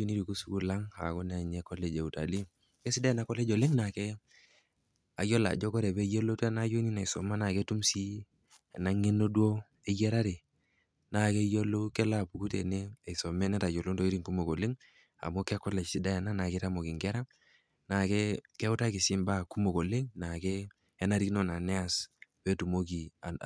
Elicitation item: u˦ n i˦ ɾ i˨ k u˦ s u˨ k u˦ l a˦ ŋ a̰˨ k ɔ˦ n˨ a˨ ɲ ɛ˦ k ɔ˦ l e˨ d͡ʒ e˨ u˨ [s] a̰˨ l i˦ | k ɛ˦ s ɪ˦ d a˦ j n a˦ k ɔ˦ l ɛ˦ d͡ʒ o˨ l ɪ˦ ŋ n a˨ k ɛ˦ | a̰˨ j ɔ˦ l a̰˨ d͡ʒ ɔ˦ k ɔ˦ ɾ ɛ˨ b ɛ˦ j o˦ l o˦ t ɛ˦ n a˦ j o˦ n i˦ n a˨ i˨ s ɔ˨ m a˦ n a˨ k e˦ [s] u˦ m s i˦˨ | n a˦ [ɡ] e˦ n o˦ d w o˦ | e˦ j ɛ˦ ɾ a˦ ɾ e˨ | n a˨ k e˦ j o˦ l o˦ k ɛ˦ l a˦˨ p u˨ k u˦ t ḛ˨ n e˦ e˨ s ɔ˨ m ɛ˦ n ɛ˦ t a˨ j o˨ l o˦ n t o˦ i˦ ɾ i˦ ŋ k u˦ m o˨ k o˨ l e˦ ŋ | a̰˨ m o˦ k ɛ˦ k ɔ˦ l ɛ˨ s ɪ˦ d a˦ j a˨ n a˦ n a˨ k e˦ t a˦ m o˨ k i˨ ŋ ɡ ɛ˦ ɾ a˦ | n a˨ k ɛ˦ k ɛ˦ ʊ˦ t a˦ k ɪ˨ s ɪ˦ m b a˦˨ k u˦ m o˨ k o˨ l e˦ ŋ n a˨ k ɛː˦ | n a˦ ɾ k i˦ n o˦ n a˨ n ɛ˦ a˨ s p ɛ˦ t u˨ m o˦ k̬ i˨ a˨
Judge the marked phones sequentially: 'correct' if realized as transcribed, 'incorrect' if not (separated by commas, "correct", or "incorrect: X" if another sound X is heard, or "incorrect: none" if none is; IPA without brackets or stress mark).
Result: incorrect: t, incorrect: t, incorrect: ŋ